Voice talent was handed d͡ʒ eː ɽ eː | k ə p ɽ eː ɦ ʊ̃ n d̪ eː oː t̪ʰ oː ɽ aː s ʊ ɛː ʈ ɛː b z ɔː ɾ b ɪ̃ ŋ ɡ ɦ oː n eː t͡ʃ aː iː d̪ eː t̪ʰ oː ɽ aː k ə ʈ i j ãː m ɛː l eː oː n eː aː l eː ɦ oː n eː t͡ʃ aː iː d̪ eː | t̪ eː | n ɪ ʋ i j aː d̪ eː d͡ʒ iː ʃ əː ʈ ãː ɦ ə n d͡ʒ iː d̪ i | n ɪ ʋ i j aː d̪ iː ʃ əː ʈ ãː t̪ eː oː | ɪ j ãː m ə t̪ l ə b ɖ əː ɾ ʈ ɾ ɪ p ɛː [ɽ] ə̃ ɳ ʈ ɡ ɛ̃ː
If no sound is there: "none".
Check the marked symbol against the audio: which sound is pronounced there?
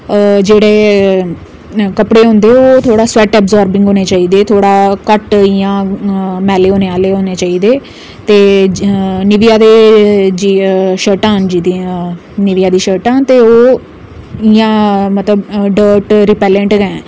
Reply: l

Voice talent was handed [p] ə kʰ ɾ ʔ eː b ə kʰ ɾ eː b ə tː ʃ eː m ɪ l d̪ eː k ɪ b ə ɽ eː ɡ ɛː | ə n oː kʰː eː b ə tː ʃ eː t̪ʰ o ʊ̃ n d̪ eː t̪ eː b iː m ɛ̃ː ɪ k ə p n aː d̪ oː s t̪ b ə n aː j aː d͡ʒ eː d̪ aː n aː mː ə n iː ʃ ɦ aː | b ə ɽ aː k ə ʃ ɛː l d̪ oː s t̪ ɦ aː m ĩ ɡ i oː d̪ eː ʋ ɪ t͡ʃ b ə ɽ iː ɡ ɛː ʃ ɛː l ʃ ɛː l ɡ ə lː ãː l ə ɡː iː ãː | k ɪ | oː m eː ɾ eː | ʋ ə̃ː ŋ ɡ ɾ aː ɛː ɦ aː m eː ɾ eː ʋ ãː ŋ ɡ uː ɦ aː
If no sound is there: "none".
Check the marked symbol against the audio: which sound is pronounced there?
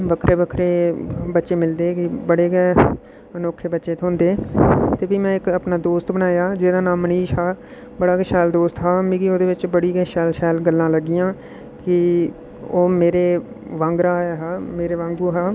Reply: b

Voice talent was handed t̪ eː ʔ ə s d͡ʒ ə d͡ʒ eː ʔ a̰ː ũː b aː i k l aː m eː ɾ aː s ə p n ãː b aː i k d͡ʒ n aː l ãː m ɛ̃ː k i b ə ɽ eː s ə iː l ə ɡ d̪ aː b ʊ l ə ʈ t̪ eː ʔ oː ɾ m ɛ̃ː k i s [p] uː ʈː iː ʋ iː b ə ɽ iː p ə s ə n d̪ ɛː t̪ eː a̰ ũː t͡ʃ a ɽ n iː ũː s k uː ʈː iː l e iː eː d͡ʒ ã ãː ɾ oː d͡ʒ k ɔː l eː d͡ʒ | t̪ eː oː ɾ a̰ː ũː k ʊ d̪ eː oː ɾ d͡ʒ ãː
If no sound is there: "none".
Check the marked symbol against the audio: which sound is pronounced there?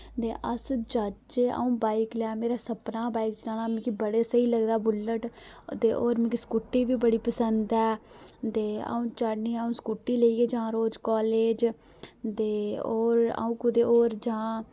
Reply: k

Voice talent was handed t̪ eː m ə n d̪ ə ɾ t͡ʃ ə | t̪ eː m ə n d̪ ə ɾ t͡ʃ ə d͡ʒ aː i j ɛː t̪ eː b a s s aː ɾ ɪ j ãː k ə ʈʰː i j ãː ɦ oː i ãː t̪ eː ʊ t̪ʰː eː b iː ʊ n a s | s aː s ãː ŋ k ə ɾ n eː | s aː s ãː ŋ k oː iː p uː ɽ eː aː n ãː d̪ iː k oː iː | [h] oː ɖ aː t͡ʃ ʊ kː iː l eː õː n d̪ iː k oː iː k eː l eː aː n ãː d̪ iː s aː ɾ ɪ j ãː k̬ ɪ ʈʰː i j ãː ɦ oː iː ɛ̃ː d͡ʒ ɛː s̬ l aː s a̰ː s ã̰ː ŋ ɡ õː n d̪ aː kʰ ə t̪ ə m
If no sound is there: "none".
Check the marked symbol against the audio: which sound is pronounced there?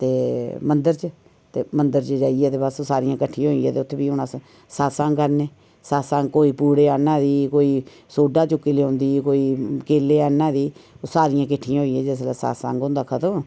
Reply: s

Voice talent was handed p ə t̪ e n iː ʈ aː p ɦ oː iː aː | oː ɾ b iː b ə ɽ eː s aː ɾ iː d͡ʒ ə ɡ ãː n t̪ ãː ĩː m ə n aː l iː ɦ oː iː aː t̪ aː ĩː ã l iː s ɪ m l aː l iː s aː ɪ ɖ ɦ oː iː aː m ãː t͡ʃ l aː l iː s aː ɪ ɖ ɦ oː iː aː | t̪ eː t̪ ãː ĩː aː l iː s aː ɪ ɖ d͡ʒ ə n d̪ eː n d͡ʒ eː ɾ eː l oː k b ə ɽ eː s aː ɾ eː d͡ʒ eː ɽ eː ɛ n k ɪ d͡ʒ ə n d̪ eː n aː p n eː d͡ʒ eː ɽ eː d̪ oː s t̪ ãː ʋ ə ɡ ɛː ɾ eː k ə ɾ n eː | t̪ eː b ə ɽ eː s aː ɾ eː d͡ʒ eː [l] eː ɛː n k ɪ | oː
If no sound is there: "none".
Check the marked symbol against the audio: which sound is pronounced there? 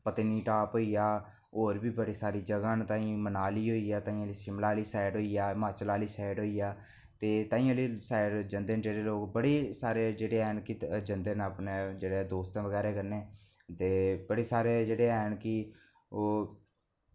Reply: ɽ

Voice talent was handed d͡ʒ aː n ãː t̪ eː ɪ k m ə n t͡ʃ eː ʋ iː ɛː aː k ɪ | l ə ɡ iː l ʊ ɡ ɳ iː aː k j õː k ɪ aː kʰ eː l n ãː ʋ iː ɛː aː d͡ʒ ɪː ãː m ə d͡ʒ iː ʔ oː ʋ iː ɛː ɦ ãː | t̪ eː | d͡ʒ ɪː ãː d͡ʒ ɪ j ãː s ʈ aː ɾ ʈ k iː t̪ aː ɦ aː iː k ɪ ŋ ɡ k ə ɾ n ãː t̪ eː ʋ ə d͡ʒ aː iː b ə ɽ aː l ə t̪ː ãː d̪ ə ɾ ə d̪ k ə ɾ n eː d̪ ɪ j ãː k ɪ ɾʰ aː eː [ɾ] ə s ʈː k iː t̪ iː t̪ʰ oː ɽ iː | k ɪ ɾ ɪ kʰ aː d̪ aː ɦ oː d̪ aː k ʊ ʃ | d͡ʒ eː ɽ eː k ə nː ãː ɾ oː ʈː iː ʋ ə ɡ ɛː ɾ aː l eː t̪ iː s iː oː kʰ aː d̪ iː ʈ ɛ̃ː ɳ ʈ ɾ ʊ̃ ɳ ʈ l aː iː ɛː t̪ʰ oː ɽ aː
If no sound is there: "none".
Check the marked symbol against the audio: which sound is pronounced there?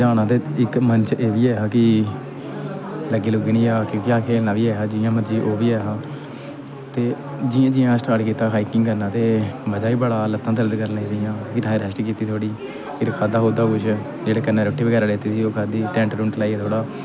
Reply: ɾ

